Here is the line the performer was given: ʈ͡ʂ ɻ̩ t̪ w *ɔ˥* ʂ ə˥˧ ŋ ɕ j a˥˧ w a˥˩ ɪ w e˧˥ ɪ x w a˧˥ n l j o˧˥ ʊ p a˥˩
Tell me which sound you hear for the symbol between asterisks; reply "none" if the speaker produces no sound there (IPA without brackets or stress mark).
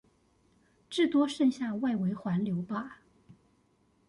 ɔ˥